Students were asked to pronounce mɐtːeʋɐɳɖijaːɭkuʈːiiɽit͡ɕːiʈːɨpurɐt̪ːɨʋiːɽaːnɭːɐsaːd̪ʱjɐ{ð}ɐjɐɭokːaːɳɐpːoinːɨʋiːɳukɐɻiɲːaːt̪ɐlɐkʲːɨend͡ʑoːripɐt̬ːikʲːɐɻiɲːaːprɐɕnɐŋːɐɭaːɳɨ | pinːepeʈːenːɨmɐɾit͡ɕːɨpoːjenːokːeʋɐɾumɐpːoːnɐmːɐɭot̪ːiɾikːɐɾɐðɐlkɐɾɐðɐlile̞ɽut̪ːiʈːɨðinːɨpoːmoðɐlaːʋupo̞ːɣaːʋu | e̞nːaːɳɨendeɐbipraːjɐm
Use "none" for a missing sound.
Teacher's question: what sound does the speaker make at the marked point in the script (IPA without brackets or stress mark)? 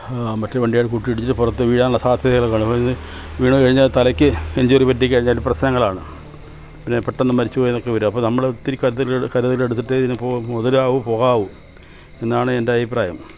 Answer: ð